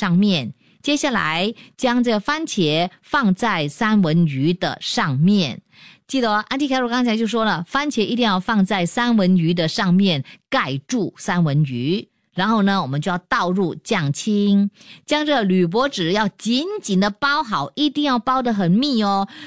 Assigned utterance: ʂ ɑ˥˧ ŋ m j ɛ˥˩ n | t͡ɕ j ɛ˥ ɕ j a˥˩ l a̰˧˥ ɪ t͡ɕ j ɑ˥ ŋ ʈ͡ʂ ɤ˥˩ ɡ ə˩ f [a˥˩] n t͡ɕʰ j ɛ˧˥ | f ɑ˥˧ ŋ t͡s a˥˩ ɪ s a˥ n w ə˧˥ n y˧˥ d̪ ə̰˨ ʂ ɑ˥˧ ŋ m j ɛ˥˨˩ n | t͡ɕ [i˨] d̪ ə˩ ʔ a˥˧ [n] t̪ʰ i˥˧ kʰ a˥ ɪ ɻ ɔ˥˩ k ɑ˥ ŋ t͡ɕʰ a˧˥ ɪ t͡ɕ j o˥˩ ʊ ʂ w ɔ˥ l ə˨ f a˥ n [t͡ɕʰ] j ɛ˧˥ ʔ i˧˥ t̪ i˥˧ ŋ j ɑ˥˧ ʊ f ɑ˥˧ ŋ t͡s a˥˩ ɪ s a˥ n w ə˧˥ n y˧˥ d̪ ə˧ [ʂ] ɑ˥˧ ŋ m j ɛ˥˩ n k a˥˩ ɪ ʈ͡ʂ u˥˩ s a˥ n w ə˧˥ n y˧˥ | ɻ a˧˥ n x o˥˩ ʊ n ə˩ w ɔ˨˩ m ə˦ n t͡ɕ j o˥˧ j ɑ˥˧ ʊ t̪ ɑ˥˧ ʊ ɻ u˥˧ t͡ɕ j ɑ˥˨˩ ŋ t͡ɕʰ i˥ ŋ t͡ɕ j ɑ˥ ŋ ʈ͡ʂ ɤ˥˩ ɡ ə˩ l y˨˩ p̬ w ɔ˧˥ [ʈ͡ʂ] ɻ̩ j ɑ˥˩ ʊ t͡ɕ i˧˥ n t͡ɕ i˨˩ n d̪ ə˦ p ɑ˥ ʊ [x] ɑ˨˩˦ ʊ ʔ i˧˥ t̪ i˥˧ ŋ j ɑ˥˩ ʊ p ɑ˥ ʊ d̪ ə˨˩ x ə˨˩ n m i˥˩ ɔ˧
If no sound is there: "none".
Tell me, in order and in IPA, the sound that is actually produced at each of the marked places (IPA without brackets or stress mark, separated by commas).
a˥, i˥˩, n, t͡ɕʰ, ʂ, ʈ͡ʂ, x